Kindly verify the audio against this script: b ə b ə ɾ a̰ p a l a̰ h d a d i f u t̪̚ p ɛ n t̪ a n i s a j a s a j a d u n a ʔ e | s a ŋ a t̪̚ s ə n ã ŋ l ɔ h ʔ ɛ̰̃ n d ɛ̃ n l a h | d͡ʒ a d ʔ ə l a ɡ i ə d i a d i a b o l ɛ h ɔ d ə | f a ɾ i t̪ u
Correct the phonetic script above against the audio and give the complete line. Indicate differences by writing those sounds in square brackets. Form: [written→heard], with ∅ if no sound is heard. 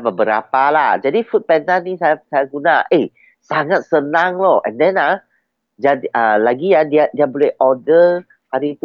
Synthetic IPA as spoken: b ə b ə ɾ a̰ p a l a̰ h [d→d͡ʒ] a d i f u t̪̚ p ɛ n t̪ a n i s a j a s a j a [d→ɡ] u n a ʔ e | s a ŋ a t̪̚ s ə n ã ŋ l ɔ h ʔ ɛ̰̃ n d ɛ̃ n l a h | d͡ʒ a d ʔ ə l a ɡ i [ə→a] d i a d i a b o l ɛ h ɔ d ə | [f→h] a ɾ i t̪ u